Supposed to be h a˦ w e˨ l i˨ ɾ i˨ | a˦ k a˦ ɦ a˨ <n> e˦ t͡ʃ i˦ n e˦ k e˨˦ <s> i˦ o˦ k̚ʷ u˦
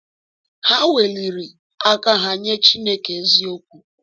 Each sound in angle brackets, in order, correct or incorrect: incorrect: ɲ, incorrect: z

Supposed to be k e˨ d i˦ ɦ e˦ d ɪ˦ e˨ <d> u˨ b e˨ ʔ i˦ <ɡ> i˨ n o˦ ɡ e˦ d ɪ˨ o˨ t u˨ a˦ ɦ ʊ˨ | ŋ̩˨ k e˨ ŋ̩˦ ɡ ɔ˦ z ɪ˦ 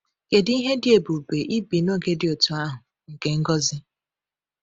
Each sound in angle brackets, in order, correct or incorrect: incorrect: b, incorrect: b

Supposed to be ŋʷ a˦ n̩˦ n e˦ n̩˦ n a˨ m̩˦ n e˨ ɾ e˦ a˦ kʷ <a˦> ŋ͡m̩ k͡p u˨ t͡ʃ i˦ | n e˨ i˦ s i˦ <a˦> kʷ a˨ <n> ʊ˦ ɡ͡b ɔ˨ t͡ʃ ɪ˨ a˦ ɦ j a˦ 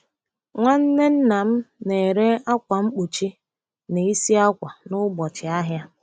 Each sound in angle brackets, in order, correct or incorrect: incorrect: a˨, correct, correct

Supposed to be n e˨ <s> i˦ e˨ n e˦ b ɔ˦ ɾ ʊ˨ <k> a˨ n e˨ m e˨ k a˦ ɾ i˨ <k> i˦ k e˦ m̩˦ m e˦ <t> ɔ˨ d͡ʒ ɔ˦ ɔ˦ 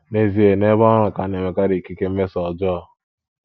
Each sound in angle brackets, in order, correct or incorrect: incorrect: z, correct, correct, incorrect: s

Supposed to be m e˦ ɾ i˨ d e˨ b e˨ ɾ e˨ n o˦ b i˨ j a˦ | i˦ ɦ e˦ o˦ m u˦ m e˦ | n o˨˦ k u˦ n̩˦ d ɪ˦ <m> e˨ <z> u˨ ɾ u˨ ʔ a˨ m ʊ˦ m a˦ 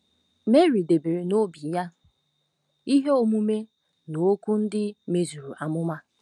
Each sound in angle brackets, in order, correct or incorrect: correct, correct

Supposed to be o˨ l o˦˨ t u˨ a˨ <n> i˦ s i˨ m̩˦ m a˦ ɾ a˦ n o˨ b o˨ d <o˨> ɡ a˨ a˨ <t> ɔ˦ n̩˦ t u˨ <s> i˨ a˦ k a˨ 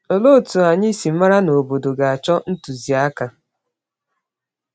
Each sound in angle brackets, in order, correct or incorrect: incorrect: ɲ, correct, incorrect: t͡ʃ, incorrect: z

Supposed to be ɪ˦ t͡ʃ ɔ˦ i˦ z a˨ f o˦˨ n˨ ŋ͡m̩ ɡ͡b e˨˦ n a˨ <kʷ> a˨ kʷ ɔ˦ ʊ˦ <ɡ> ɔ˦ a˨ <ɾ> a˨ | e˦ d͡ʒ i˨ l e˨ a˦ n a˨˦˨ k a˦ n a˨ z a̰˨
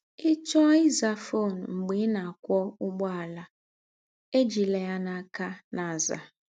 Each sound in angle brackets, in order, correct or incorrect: incorrect: none, incorrect: ɡ͡b, incorrect: l

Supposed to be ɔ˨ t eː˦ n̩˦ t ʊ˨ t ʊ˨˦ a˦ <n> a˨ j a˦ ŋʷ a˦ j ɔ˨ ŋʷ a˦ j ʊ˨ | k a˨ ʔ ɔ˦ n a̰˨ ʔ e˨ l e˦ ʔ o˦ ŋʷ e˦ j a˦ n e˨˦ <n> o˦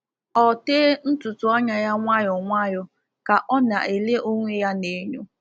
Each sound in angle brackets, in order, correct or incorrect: incorrect: ɲ, incorrect: ɲ

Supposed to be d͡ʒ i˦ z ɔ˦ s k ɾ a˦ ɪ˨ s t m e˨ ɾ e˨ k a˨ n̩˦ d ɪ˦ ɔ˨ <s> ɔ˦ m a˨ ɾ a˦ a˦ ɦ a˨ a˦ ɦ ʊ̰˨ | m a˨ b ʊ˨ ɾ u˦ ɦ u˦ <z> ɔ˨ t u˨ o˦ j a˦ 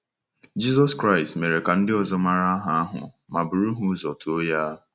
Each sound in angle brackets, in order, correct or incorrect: incorrect: z, correct

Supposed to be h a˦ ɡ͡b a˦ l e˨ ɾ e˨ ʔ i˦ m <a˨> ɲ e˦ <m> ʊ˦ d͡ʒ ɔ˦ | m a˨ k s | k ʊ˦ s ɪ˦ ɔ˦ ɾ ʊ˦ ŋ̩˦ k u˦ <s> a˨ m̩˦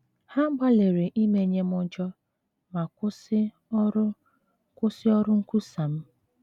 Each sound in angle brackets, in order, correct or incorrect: incorrect: e˨, correct, correct

